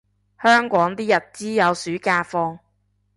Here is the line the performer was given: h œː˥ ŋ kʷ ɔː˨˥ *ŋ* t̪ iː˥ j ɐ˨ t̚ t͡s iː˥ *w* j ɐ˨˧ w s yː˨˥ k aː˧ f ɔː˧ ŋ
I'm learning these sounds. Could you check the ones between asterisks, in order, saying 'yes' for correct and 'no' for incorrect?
yes, no

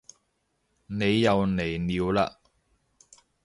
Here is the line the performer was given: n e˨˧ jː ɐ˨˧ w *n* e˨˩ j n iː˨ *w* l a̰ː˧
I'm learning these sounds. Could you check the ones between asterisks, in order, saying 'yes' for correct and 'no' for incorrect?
yes, yes

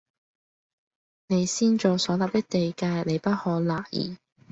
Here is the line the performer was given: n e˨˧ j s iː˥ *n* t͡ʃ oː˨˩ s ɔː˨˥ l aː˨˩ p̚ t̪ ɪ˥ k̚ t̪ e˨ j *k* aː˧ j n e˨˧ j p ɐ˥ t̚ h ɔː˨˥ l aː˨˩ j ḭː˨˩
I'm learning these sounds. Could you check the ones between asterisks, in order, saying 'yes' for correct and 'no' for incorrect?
yes, yes

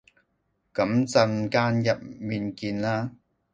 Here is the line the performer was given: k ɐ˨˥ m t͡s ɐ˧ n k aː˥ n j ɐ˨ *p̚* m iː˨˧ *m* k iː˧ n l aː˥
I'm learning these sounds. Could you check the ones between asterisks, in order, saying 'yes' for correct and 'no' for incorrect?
yes, no

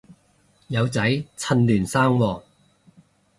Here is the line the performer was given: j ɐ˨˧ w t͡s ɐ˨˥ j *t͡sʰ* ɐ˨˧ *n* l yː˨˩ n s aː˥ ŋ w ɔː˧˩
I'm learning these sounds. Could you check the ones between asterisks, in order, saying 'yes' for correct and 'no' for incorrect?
yes, yes

